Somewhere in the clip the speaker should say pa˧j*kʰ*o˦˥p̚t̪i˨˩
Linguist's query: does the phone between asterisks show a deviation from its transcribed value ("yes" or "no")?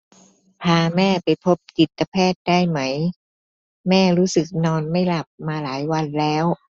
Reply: yes